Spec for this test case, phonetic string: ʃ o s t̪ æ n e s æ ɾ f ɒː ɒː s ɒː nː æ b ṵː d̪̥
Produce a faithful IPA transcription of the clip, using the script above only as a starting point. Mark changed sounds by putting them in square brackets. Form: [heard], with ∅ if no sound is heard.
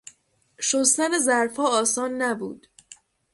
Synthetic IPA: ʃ o s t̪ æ n e [z] æ ɾ f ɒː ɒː s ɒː nː æ b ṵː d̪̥

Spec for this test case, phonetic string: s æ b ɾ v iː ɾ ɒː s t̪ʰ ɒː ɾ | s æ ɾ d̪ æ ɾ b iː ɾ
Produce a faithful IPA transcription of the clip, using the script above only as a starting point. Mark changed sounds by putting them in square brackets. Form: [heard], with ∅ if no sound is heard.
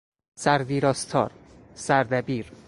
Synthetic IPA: s æ [∅] ɾ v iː ɾ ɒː s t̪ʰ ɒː ɾ | s æ ɾ d̪ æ [∅] b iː ɾ

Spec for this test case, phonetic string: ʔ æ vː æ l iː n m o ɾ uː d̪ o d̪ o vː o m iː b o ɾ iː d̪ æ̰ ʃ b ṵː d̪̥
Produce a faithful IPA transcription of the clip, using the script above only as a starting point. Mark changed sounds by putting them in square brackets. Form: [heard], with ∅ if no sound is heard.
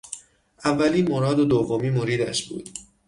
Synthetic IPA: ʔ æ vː æ l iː n m o ɾ [ɒː] d̪ o d̪ o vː o m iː [m] o ɾ iː d̪ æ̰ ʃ b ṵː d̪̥

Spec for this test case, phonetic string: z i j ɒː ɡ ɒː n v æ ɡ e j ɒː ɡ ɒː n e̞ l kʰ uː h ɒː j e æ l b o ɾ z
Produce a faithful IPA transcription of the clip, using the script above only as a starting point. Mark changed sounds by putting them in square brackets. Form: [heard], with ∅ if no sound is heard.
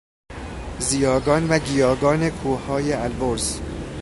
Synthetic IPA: z i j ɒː ɡ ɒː n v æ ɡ [i] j ɒː ɡ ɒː n e̞ [∅] kʰ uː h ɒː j e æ l b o ɾ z

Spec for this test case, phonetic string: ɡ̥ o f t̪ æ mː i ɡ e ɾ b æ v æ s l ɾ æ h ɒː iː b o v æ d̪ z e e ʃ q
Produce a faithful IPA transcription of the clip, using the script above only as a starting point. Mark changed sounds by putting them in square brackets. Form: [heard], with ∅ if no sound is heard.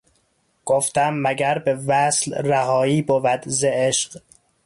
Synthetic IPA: ɡ̥ o f t̪ æ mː [æ] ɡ [æ] ɾ b [e] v æ s l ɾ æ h ɒː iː b o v æ d̪ z e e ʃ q

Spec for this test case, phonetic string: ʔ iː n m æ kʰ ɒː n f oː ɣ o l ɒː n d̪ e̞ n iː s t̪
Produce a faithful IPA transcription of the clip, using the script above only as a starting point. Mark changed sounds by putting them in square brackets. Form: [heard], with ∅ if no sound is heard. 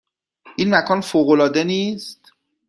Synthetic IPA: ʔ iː n m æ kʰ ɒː n f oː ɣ o l ɒː [∅] d̪ e̞ n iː s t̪

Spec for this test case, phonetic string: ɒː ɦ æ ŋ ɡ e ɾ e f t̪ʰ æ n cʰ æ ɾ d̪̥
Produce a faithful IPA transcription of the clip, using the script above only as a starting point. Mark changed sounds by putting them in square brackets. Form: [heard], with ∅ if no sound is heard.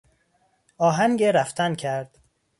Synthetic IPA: ɒː ɦ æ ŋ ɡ e ɾ [æ] f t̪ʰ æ n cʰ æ ɾ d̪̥

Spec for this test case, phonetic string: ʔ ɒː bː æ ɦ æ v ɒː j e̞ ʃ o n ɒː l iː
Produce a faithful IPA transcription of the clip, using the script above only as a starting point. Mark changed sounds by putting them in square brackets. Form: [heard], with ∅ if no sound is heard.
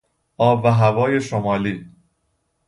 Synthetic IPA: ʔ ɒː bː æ ɦ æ v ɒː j e̞ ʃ o [m] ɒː l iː

